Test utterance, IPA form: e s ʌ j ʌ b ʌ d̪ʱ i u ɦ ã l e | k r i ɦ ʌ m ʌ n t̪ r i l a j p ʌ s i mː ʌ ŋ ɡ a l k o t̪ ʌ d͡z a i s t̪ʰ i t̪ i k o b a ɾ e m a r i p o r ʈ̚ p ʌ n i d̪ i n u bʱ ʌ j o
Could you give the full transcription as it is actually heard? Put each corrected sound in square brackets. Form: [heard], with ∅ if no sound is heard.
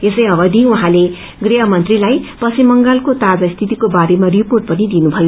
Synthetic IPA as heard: e s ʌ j ʌ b ʌ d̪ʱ i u ɦ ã l e | [ɡ] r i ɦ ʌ m ʌ n t̪ r i l a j p ʌ s i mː ʌ ŋ ɡ a l k o t̪ [a] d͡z a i s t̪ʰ i t̪ i k o b a ɾ e m a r i p o r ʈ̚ p ʌ n i d̪ i n u bʱ ʌ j o